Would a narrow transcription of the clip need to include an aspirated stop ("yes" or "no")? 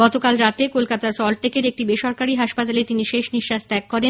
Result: no